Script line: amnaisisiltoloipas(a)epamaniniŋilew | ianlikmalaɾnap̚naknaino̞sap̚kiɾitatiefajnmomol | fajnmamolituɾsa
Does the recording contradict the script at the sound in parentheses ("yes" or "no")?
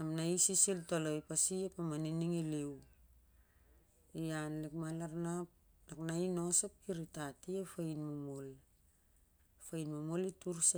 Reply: yes